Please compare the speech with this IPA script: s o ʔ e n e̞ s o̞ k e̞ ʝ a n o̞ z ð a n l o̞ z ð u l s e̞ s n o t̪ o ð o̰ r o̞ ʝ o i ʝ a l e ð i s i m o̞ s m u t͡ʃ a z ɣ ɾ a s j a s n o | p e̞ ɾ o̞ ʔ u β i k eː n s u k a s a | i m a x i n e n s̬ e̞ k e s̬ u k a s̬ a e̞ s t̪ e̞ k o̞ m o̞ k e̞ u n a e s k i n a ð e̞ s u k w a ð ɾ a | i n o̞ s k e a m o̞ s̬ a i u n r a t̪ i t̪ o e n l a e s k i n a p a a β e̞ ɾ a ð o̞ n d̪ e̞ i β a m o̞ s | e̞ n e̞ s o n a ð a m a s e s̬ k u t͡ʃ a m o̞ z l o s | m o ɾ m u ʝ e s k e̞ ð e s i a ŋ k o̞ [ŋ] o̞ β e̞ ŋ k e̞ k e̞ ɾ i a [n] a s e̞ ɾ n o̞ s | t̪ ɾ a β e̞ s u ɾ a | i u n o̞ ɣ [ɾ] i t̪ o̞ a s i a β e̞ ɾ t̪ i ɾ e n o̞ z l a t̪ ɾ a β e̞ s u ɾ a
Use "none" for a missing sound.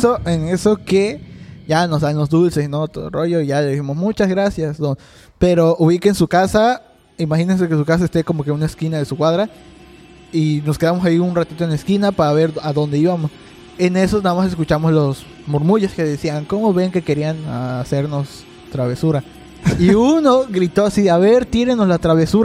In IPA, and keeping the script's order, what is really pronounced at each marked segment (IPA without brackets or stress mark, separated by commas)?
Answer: m, n, ɾ